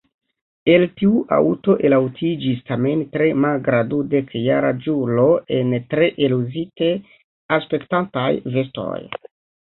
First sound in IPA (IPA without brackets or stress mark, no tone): e̞